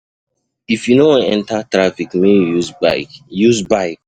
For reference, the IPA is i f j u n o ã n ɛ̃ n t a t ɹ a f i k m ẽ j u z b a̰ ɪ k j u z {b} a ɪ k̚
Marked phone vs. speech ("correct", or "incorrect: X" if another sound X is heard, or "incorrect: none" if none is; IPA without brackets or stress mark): correct